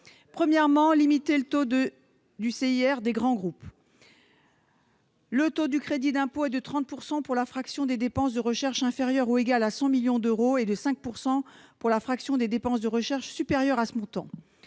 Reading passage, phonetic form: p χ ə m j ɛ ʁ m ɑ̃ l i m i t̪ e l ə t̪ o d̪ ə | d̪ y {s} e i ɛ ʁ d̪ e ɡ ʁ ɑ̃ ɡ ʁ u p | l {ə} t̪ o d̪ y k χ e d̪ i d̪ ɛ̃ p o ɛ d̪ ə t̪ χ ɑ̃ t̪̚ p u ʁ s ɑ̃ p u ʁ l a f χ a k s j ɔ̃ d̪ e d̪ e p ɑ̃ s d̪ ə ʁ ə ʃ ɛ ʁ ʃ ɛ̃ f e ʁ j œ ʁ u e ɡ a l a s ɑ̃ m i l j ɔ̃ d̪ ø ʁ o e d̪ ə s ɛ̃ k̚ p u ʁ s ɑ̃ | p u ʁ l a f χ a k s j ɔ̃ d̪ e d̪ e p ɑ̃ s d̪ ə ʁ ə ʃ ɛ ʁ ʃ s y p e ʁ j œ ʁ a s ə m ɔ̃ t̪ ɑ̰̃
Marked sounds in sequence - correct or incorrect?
correct, correct

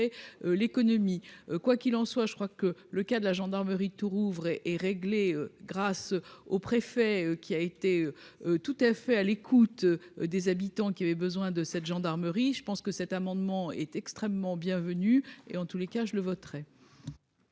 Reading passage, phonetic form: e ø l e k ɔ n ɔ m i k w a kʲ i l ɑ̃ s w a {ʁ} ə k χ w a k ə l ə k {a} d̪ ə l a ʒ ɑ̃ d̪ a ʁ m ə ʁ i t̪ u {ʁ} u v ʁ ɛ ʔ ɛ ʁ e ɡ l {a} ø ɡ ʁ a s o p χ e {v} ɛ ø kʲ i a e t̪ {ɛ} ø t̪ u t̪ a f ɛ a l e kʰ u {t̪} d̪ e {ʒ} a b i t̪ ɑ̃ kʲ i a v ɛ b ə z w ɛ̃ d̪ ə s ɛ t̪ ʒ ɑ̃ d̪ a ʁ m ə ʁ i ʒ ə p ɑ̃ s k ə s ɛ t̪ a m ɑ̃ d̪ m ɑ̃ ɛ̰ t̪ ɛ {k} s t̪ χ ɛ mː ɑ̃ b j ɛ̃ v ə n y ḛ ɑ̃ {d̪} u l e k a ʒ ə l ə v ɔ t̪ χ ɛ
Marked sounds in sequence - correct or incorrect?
incorrect: ʒ, correct, correct, incorrect: e, incorrect: f, incorrect: e, correct, incorrect: z, correct, incorrect: t̪

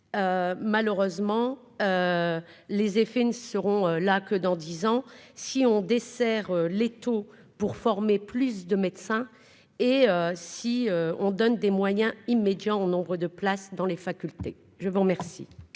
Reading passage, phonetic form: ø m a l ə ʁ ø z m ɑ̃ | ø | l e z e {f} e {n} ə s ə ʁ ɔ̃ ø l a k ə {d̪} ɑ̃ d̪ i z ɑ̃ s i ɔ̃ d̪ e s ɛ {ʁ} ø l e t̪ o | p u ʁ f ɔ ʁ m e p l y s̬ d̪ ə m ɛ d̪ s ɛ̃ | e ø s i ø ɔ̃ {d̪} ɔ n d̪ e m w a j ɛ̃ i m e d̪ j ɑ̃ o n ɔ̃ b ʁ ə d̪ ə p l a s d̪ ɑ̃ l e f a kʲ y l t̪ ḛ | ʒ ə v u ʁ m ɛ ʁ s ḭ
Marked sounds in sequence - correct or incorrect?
correct, correct, correct, correct, correct

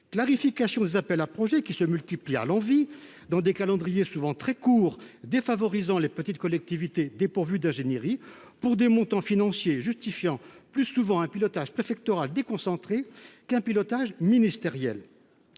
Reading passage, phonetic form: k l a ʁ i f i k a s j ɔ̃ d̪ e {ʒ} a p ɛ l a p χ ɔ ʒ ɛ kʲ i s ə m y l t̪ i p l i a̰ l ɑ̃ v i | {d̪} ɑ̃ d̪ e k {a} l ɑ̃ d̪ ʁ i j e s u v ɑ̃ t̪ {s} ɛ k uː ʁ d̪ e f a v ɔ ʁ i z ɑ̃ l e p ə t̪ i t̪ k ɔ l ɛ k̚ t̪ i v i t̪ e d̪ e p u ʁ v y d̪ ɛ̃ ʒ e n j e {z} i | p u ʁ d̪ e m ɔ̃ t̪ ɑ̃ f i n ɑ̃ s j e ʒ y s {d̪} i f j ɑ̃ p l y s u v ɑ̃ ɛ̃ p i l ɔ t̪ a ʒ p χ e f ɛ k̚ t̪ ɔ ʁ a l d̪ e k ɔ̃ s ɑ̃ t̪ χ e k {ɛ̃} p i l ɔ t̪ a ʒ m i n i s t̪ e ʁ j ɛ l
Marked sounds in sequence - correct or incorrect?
incorrect: z, correct, correct, incorrect: χ, incorrect: ʁ, incorrect: t̪, correct

